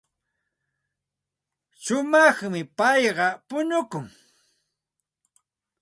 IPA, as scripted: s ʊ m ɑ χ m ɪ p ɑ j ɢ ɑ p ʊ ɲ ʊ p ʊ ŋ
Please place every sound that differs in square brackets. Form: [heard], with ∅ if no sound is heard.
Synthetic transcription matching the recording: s ʊ m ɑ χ m ɪ p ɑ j ɢ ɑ p ʊ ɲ ʊ [k] ʊ ŋ